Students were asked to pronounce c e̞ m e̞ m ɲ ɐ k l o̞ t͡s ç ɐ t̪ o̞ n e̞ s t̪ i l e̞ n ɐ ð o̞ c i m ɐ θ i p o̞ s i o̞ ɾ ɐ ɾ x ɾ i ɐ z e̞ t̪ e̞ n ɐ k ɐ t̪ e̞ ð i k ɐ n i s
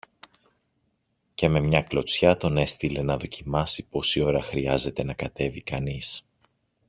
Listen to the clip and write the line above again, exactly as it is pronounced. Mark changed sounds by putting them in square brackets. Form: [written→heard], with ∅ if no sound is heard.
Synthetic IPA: c e̞ m e̞ m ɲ ɐ k l o̞ t͡s ç ɐ t̪ o̞ n e̞ s t̪ i l e̞ n ɐ ð o̞ c i m ɐ [θ→s] i p o̞ s i o̞ ɾ ɐ [ɾ→∅] x ɾ i ɐ z e̞ t̪ e̞ n ɐ k ɐ t̪ e̞ [ð→v] i k ɐ n i s